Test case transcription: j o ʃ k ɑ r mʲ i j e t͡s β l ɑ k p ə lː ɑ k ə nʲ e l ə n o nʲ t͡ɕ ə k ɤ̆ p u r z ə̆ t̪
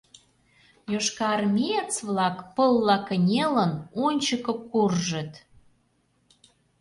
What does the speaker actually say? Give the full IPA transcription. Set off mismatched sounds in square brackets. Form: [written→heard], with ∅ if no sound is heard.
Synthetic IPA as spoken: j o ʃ k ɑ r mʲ i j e t͡s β l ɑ k p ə lː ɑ k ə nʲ e l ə n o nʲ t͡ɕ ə k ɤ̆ [p→k] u r [z→ʒ] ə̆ t̪